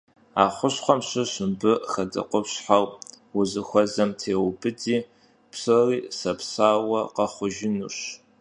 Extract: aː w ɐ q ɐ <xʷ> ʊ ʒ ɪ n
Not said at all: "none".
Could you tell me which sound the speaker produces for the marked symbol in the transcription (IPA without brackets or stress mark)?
χʷ